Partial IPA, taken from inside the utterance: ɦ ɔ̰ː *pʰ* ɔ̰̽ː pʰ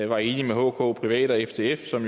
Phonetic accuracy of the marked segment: incorrect: kʰ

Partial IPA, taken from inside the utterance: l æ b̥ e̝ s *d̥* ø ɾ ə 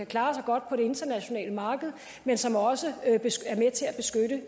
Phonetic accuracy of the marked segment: incorrect: ɡ̥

